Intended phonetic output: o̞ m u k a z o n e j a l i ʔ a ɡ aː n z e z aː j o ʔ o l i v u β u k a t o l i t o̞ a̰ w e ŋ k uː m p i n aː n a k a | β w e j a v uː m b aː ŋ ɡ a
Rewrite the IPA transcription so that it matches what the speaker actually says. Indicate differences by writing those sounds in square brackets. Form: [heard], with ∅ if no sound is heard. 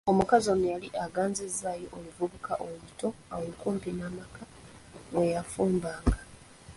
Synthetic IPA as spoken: o̞ m u k a z o n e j a l i ʔ a ɡ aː n z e z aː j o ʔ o l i v u β u k a [ʔ] o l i t o̞ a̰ w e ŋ k uː m p i n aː [m] a k a | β w e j a [f] uː m b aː ŋ ɡ a